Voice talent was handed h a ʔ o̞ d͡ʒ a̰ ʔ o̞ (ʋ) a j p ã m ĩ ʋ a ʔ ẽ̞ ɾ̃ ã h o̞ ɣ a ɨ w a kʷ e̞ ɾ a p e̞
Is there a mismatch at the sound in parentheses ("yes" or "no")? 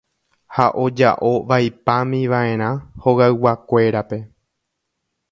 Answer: no